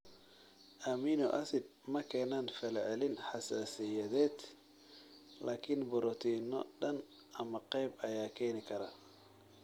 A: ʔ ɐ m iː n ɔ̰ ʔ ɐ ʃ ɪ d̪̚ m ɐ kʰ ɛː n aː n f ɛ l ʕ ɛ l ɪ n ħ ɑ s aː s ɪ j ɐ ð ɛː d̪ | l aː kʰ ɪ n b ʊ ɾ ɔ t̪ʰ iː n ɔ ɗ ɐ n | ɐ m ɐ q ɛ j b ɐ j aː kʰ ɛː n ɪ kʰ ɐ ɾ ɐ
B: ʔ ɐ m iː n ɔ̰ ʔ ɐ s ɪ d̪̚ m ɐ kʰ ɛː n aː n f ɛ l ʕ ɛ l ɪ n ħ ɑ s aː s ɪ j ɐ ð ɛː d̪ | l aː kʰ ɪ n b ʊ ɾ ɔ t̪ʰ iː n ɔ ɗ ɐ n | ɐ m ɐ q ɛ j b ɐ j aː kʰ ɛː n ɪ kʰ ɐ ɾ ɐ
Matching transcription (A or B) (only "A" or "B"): B